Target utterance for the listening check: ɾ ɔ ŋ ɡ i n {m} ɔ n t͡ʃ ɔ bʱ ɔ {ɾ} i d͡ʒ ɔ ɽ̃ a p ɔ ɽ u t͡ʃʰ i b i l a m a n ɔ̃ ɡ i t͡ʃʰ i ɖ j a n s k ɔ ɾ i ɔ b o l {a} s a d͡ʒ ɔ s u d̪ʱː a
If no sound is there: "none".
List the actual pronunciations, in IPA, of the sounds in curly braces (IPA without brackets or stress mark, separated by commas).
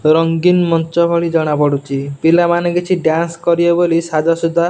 m, ɭ, i